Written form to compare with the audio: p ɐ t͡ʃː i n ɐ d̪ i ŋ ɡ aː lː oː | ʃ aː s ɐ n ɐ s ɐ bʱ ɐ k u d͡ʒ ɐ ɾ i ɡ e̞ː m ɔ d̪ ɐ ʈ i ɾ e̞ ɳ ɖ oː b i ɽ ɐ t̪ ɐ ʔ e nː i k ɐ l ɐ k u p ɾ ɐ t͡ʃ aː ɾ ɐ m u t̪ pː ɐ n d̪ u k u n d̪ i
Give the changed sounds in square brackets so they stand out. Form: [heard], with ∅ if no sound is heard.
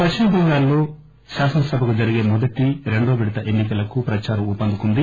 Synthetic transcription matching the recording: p ɐ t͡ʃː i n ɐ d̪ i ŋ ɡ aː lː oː | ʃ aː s ɐ n ɐ s ɐ bʱ ɐ k u d͡ʒ ɐ ɾ i ɡ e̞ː m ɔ d̪ ɐ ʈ i ɾ e̞ ɳ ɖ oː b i ɽ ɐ t̪ ɐ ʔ e nː i k ɐ l ɐ k u p ɾ ɐ t͡ʃ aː ɾ ɐ m u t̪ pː ɐ n d̪ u k u n d̪ i